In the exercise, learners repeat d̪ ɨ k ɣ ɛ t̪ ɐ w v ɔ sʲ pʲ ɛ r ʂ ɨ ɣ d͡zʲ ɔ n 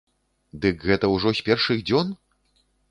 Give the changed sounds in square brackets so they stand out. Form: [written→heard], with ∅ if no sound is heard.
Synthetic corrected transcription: d̪ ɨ k ɣ ɛ t̪ ɐ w [v→ʐ] ɔ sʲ pʲ ɛ r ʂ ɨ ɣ d͡zʲ ɔ n